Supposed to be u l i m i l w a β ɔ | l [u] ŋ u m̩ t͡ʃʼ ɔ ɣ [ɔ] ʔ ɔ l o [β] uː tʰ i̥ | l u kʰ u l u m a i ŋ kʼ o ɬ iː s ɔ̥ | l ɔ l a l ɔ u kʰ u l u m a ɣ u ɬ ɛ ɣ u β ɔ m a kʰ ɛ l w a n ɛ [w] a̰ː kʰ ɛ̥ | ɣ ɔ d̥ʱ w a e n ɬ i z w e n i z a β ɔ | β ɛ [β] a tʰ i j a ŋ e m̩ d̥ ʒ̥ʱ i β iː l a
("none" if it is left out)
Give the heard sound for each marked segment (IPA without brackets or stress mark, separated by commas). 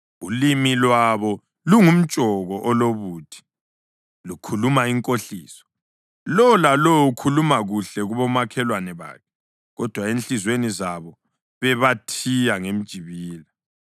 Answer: u, ɔ, β, β, β